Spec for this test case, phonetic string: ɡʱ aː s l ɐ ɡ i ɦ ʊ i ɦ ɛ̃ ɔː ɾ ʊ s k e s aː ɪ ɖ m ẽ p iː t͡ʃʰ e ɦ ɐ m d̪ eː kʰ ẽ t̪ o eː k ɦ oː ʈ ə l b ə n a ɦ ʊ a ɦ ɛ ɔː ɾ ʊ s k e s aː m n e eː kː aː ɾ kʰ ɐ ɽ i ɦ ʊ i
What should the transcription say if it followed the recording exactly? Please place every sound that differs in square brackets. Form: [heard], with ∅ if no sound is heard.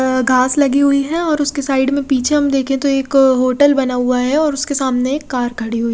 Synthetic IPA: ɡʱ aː s l ɐ ɡ i ɦ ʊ i ɦ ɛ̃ ɔː ɾ ʊ s k e s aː ɪ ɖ m ẽ p iː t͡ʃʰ e ɦ ɐ m d̪ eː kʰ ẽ t̪ o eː k ɦ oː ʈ ə l b [ɐ] n a ɦ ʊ a ɦ ɛ ɔː ɾ ʊ s k e s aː m n e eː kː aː ɾ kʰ ɐ ɽ i ɦ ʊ i